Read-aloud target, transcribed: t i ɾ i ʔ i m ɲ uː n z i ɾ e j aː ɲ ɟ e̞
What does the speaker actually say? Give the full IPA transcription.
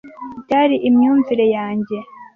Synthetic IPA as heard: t a ɾ i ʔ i m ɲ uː n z i ɾ e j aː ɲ ɟ e̞